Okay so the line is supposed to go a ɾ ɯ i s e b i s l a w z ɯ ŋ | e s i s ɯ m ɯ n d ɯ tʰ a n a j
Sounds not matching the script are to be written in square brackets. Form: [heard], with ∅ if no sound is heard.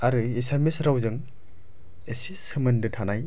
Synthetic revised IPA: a ɾ ɯ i s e [m] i s [ɾ] a w z ɯ ŋ | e s i s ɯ m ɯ n d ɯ tʰ a n a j

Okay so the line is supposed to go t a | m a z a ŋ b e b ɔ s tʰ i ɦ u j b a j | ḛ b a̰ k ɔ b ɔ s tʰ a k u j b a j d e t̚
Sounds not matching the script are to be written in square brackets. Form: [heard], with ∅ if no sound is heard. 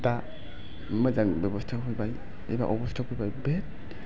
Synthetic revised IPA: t a | m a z a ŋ b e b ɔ s tʰ [a] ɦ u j b a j | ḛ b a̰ [ʔ] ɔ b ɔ s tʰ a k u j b a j [b] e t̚

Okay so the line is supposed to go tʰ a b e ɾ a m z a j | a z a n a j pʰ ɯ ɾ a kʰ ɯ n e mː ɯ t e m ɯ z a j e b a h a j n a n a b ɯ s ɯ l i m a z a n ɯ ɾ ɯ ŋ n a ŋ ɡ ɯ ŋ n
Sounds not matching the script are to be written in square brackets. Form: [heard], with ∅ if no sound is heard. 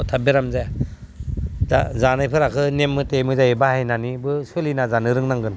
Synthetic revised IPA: tʰ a b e ɾ a m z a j | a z a n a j pʰ ɯ ɾ a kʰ ɯ n e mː ɯ t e m ɯ z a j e b a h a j n a n [i] b ɯ s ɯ l i [n] a z a n ɯ ɾ ɯ ŋ n a ŋ ɡ ɯ [∅] n

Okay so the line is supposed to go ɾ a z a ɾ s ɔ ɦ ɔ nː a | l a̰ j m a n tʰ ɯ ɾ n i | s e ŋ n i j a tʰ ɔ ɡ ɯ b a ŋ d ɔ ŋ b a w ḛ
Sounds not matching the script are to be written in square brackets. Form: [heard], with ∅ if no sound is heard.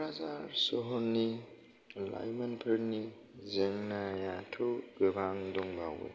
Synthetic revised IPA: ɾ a z a ɾ s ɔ ɦ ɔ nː [i] | l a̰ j m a n [pʰ] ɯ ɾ n i | [z] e ŋ n [a] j a tʰ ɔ ɡ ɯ b a ŋ d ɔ ŋ b a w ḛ

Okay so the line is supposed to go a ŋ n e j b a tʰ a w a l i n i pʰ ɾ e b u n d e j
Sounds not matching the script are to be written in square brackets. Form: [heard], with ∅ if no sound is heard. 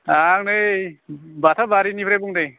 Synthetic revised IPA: a ŋ n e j b a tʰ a [b] a [ɾ] i n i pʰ ɾ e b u [ŋ] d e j

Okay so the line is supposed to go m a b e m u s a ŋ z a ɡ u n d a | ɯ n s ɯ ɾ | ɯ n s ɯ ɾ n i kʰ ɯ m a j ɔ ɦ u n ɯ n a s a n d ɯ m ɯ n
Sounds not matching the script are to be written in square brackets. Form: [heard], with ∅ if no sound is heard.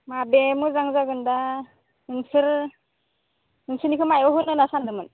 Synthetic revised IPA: m a b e m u [z] a ŋ z a ɡ [ɯ] n d a | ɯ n s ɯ ɾ | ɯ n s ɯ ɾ n i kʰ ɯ m a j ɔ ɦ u n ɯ n a s a n d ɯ m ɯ n

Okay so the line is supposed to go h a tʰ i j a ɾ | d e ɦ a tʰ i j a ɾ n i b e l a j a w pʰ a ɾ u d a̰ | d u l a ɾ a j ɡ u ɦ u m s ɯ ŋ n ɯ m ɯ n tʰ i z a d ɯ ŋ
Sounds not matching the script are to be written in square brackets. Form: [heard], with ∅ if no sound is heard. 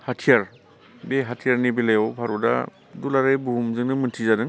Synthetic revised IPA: h a tʰ i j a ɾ | [b] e ɦ a tʰ i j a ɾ n i b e l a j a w pʰ a ɾ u d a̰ | d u l a ɾ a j [b] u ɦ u m [z] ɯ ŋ n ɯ m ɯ n tʰ i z a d ɯ ŋ

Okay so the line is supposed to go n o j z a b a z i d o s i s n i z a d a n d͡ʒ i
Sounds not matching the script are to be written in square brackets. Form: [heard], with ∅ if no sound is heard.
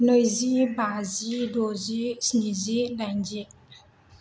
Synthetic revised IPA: n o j z [i] b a z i d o [z] i s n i z [i] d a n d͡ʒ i

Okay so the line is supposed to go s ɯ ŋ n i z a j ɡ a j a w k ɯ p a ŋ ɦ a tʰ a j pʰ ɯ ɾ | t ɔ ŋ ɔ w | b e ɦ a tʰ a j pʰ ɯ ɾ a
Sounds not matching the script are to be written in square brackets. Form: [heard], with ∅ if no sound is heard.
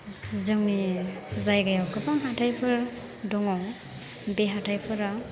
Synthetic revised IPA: [z] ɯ ŋ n i z a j ɡ a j a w k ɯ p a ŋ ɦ a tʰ a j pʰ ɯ ɾ | [d] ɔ ŋ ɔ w | b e ɦ a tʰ a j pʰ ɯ ɾ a

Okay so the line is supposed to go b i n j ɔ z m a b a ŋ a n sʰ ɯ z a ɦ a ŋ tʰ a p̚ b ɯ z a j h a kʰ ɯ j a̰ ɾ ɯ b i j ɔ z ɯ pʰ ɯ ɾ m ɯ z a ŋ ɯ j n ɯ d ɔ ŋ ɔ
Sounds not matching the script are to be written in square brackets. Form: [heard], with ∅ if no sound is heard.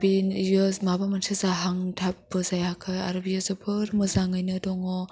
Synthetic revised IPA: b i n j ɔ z m a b a [m] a n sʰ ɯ z a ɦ a ŋ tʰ a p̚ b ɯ z a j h a kʰ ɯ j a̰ ɾ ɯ b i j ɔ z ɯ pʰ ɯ ɾ m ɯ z a ŋ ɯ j n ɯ d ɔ ŋ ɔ

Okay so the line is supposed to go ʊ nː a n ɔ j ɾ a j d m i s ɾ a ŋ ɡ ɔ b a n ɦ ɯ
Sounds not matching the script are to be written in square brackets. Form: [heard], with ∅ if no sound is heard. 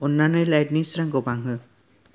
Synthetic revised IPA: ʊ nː a n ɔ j [l] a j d [n] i s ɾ a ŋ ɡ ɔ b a [ŋ] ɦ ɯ

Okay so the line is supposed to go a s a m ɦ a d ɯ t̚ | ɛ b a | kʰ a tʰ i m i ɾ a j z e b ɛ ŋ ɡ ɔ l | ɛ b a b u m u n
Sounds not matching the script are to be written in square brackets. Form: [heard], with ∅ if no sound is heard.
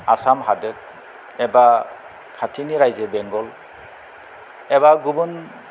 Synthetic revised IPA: a s a m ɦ a d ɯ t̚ | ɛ b a | kʰ a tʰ i [n] i ɾ a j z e b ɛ ŋ ɡ ɔ l | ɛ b a [ɡ] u [b] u n

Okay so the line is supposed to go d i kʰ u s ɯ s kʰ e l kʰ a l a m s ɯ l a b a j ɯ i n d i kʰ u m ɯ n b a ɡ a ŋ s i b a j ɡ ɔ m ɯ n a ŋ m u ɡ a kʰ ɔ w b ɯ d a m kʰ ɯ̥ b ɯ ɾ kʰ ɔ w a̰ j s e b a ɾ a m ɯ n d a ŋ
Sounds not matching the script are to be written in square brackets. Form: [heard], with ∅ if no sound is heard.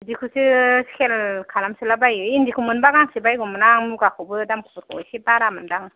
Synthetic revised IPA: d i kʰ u s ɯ s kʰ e l kʰ a l a m s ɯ l a b a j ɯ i n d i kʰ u m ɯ n b a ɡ a ŋ s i b a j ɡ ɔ m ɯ n a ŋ m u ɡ a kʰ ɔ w b ɯ d a m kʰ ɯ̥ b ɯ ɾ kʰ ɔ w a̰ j s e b a ɾ a m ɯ n d a ŋ

